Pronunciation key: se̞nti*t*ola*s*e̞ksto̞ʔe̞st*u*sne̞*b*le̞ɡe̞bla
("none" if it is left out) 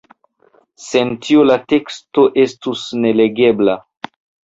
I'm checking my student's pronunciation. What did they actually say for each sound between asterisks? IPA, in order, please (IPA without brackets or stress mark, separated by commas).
none, t, u, none